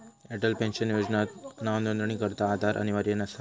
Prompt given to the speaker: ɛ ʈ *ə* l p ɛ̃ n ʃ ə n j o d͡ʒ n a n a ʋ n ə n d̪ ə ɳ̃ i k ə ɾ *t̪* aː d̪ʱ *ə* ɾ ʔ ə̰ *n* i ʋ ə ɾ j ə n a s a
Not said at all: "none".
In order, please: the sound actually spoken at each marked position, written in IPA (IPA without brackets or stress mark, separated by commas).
ə, t̪, a, n